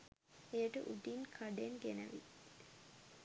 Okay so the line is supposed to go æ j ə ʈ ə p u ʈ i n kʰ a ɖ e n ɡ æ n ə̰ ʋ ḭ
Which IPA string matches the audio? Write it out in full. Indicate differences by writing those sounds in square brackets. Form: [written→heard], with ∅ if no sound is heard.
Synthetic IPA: [æ→e] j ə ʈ ə [p→ʔ] u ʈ i n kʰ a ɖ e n ɡ [æ→e] n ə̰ ʋ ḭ